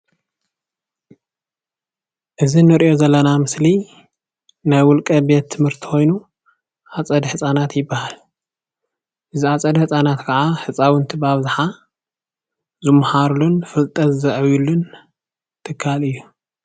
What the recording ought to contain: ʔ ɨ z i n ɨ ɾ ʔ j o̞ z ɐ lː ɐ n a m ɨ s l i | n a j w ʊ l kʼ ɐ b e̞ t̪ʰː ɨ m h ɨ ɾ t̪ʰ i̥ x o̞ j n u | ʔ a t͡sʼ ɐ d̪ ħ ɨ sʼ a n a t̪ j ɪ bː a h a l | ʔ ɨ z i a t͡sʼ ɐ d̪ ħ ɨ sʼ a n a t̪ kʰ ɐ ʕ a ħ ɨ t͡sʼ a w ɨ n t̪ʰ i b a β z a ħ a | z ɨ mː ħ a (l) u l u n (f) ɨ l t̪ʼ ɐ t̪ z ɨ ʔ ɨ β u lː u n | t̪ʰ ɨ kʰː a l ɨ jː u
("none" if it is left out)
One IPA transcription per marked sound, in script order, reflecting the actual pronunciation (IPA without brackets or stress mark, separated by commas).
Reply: ɾ, f